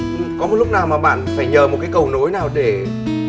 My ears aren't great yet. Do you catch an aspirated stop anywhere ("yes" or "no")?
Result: no